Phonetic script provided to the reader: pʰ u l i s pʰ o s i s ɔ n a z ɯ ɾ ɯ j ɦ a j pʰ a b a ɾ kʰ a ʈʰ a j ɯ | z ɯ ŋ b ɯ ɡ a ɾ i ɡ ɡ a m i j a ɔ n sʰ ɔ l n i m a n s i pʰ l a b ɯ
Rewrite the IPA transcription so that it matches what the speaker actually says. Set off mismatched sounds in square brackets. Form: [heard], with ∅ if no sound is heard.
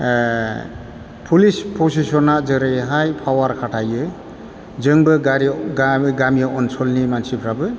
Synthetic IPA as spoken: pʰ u l i s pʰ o s i s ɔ n a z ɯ ɾ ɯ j ɦ a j pʰ a [w] a ɾ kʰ a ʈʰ a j ɯ | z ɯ ŋ b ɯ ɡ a ɾ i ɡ ɡ a m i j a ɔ n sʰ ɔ l n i m a n s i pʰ [ɾ] a b ɯ